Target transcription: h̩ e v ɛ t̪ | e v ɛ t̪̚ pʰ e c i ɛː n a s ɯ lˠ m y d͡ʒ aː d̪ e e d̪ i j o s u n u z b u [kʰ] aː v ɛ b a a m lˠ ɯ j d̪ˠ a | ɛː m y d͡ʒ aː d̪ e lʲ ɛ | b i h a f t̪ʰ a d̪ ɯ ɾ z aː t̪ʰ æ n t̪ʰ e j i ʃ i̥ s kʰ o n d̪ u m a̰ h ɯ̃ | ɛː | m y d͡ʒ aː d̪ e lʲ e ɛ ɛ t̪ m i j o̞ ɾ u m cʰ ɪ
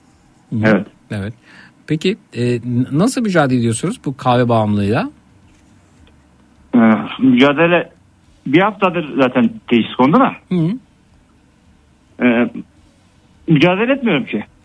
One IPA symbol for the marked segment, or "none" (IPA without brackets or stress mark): kʰ